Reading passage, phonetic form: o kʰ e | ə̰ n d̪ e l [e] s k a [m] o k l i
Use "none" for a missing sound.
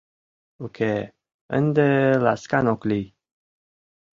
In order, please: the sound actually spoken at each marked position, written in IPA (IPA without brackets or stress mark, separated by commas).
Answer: a, n